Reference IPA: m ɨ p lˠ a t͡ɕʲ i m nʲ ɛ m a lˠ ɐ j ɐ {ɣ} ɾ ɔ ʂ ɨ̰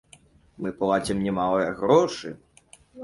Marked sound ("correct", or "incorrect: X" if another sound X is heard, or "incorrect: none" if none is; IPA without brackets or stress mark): correct